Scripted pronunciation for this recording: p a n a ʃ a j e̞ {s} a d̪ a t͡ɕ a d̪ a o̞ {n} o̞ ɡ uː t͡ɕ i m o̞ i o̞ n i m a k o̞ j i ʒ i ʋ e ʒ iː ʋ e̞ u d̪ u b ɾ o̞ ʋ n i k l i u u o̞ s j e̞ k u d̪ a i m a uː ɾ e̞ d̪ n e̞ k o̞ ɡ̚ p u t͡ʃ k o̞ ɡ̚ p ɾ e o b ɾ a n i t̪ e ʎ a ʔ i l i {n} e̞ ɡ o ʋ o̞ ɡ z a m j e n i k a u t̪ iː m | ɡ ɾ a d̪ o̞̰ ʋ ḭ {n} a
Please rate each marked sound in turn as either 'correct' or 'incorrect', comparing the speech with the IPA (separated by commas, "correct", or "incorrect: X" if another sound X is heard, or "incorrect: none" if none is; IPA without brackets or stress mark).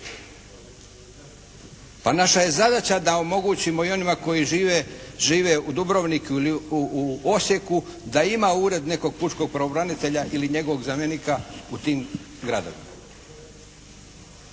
incorrect: z, incorrect: m, incorrect: ɲ, incorrect: m